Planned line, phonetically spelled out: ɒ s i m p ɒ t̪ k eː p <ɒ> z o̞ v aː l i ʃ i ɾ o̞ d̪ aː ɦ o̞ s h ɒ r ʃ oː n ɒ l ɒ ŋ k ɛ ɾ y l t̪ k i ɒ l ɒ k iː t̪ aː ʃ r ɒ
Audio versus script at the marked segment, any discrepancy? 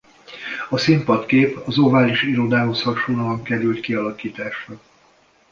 no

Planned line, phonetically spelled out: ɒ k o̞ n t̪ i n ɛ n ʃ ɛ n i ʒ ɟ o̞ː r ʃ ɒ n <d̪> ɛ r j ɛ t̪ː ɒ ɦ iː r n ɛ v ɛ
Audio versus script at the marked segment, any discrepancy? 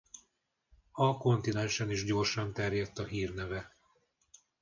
yes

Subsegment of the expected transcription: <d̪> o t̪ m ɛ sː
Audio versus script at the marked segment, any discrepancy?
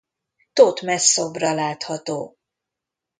yes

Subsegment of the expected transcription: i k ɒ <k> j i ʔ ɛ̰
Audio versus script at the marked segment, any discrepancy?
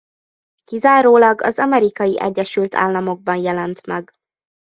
yes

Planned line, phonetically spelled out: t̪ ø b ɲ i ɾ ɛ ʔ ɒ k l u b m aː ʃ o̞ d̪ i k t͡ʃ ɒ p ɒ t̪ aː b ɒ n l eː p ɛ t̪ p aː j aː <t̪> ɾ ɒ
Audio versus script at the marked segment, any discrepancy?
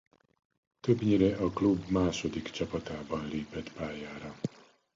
yes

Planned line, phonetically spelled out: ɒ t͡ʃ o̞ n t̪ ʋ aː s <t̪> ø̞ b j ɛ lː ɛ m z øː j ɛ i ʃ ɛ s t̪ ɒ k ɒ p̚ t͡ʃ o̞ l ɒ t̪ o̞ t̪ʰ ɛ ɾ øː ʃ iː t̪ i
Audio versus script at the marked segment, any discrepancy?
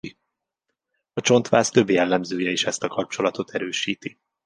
no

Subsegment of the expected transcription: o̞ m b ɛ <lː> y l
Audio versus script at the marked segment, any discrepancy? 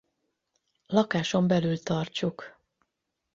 yes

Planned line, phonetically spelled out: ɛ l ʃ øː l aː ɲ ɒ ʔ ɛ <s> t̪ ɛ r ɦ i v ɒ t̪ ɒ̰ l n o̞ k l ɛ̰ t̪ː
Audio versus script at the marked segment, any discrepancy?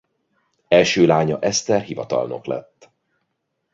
no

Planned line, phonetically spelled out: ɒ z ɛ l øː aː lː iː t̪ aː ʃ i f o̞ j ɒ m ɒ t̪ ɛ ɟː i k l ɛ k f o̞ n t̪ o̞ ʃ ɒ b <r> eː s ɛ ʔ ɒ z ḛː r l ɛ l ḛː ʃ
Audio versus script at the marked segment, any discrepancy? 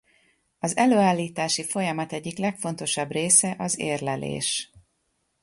no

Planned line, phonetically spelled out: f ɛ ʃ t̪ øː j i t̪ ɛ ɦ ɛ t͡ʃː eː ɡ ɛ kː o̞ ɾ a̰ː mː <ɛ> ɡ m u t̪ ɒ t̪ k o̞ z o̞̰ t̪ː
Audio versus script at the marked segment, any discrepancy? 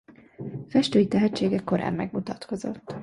no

